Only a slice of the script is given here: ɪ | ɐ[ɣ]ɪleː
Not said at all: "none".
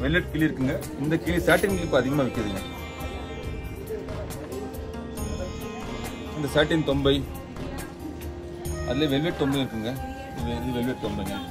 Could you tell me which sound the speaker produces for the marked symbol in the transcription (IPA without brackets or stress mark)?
ð